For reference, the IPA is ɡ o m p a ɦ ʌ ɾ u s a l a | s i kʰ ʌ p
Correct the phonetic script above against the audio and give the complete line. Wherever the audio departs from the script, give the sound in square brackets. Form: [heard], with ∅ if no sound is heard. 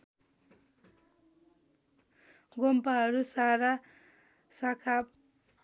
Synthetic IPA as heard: ɡ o m p a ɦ ʌ ɾ u s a [ɾ] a | s [a] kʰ [a] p